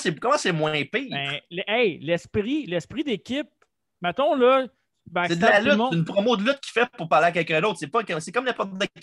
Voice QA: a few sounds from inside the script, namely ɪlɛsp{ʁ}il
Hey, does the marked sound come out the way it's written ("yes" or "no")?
yes